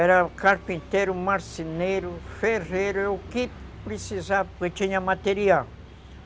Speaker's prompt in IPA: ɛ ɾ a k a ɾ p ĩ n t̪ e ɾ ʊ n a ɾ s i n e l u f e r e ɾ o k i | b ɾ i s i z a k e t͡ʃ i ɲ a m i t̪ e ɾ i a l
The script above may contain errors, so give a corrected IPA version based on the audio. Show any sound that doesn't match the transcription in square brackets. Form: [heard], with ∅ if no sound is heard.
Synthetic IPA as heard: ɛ ɾ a k a ɾ p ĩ n t̪ e ɾ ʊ [m] a ɾ s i n e [ɾ] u f e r e ɾ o k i | [p] ɾ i s i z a k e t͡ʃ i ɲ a m [a] t̪ e ɾ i a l